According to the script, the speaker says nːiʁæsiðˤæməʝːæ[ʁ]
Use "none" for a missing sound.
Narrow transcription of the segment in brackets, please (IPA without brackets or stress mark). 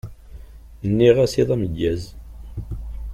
z